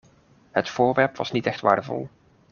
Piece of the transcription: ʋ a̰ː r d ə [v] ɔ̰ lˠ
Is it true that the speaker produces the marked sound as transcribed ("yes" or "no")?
yes